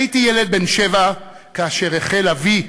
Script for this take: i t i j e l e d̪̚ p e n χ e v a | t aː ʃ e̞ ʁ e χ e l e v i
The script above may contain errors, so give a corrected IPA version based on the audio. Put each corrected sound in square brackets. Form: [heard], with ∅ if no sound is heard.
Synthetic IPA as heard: i t i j e l e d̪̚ [b] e n [ʃ] e v a | [k] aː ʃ e̞ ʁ e χ e l [a] v i